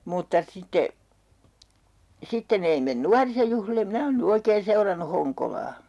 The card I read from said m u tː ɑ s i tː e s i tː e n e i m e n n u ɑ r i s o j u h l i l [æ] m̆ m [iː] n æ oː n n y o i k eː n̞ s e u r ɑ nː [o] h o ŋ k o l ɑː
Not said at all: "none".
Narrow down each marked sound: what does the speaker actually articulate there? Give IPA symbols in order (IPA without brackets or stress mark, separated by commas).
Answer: e, i, u